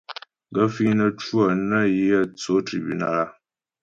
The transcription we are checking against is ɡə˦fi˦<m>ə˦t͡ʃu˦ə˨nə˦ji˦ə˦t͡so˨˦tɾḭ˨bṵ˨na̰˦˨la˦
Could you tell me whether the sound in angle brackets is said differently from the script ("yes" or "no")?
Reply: yes